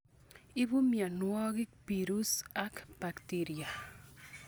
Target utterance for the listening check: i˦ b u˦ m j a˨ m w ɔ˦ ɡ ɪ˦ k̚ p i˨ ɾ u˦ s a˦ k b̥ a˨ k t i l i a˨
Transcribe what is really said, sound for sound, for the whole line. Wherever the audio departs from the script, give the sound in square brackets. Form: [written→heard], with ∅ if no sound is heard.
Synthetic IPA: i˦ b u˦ m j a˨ [m→n] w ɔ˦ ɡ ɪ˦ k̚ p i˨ ɾ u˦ s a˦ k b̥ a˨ k t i [l→ɾ] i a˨